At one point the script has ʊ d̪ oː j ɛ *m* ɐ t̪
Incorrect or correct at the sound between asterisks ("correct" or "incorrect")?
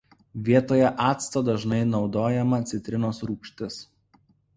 correct